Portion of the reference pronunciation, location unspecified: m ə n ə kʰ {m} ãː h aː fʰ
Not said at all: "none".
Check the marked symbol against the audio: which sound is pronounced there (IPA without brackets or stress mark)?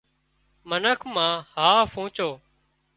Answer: m